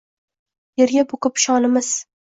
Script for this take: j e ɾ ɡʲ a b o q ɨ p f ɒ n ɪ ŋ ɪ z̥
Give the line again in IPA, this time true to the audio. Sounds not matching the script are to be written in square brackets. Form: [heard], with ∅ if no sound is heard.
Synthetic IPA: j e ɾ ɡʲ a b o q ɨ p [ʃ] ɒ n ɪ [m] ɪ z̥